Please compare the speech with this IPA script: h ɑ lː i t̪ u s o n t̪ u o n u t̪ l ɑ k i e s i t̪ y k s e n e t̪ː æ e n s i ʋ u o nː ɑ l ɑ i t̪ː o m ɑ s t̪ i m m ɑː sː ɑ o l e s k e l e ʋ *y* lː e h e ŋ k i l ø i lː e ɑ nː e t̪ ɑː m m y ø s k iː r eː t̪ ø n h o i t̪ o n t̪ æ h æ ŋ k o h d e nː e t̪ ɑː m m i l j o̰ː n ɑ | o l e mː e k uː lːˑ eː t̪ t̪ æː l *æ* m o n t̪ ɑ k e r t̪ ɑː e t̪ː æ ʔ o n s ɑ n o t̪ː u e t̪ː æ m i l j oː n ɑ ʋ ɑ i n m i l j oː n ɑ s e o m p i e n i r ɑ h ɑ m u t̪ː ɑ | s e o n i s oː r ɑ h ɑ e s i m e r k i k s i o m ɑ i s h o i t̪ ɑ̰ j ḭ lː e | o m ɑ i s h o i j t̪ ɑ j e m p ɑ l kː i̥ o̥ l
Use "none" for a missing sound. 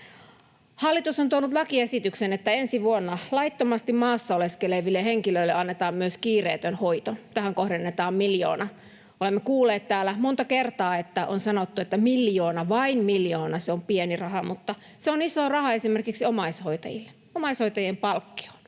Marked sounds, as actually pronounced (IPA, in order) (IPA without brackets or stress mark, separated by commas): i, æ